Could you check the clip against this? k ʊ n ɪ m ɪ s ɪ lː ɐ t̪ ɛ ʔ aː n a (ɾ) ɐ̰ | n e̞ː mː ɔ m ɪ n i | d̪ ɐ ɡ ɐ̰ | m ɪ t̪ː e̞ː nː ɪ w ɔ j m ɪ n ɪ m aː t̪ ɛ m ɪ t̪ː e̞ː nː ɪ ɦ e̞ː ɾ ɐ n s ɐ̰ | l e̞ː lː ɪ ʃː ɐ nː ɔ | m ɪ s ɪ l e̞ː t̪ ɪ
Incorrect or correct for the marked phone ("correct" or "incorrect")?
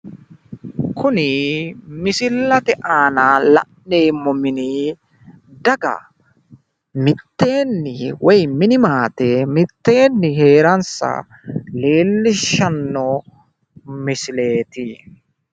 incorrect